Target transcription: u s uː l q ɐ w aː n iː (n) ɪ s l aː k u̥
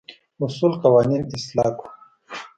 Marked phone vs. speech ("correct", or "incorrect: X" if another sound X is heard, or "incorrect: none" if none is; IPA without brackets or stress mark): correct